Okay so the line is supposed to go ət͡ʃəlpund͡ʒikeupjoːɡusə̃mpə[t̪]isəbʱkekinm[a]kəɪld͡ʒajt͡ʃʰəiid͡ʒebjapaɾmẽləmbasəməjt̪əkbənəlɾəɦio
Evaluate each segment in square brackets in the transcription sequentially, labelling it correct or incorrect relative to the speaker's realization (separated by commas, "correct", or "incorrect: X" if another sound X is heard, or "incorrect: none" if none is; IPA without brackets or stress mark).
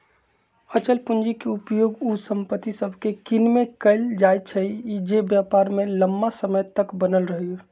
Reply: correct, incorrect: e